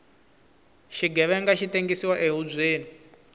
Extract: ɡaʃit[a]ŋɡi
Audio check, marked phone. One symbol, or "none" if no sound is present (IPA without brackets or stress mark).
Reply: e